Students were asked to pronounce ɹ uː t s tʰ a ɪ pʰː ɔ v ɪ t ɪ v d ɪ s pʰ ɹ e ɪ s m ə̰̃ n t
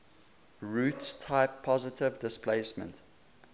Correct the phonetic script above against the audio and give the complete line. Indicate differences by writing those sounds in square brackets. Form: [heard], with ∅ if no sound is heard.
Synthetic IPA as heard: ɹ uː t s tʰ a ɪ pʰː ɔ [z] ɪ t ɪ v d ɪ s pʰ [l] e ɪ s m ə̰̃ n t

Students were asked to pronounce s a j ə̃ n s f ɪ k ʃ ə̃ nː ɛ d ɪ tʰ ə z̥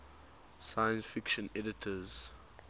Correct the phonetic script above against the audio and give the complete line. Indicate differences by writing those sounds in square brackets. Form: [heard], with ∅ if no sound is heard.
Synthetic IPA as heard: s a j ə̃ n s f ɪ k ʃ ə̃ [n] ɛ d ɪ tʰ ə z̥

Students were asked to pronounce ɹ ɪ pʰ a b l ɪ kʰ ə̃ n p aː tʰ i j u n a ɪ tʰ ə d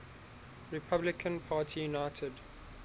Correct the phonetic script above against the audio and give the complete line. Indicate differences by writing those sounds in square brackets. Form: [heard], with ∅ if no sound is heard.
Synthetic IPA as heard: ɹ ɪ pʰ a b l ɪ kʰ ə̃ n [pʰ] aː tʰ i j u n a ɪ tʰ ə d

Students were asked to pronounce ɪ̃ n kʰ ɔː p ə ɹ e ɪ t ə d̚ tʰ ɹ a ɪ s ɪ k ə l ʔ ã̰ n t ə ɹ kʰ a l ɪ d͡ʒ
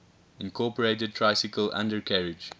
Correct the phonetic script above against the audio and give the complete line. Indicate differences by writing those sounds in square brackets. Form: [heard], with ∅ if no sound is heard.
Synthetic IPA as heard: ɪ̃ n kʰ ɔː p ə ɹ e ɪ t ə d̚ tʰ ɹ a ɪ s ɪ k ə l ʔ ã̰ n [d] ə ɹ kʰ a [ɹ] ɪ d͡ʒ

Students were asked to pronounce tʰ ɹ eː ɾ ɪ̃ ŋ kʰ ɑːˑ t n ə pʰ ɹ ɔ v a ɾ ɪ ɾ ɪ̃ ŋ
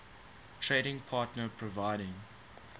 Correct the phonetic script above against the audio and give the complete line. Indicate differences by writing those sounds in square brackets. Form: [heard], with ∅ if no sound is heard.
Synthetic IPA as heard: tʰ ɹ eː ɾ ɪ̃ ŋ [pʰ] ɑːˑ t n ə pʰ ɹ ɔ v a [∅] ɪ ɾ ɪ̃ ŋ

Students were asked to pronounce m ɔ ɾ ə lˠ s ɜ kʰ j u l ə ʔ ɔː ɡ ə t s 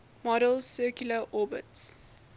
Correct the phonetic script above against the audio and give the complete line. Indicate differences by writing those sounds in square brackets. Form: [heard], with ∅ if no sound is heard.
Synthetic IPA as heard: m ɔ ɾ ə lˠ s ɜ [k] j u l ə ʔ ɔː [b] ə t s

